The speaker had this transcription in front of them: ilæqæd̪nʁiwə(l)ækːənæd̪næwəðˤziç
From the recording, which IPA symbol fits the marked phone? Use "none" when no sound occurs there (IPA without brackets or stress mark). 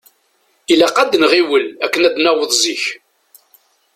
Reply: l